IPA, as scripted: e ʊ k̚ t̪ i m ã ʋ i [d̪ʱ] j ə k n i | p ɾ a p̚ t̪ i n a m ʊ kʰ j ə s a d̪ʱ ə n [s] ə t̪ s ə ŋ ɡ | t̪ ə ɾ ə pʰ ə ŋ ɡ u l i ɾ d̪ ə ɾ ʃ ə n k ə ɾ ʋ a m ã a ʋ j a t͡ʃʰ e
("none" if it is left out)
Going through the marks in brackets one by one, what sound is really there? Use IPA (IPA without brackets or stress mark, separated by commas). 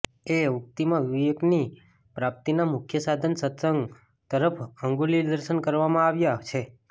none, s